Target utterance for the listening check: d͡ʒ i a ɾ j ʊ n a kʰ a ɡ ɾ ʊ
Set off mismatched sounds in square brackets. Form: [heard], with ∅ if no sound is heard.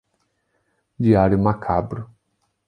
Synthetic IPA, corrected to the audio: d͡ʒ i a ɾ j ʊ [m] a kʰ a [b] ɾ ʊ